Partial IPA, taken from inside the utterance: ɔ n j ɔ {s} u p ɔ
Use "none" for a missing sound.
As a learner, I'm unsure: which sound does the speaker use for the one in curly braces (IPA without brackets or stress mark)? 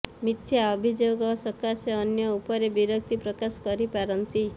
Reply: none